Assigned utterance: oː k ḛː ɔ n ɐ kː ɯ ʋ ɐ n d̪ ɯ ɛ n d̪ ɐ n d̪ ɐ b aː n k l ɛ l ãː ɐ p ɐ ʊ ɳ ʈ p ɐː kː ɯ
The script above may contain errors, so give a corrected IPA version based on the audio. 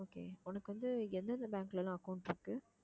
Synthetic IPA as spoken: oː k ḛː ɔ n ɐ kː ɯ ʋ ɐ n d̪ ɯ ɛ n d̪ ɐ n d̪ ɐ b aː ŋ k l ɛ l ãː ɐ k ɐ ʊ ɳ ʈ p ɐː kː ɯ

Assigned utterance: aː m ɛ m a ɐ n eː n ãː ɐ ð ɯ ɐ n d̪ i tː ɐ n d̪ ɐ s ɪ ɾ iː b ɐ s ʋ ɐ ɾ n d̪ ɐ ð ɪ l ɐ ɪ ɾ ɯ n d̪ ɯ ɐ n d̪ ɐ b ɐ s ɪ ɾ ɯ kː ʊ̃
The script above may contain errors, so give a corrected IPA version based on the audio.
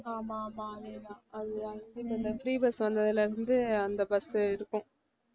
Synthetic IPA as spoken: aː m a m a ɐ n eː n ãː ɐ ð ɯ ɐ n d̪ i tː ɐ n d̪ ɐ f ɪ ɾ iː b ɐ s ʋ ɐ n d̪ ɐ ð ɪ l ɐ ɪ ɾ ɯ n d̪ ɯ ɐ n d̪ ɐ b ɐ s ɪ ɾ ɯ kː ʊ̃

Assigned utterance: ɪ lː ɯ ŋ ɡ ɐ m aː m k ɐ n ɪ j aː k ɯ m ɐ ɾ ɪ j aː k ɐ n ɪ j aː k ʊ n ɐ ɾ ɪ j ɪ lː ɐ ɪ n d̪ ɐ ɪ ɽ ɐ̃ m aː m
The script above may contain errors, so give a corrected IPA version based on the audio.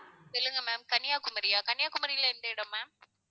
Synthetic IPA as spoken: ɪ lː ɯ ŋ ɡ ɐ m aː m k ɐ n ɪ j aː k ʊ m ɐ ɾ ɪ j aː k ɐ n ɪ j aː k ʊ m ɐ ɾ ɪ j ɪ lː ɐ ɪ n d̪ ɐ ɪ ɽ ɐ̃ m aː m

